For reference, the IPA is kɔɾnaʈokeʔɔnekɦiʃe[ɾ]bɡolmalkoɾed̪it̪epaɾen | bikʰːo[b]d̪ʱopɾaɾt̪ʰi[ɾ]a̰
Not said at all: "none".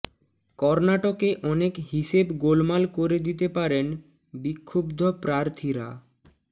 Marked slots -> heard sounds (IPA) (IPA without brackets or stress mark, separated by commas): none, b, ɾ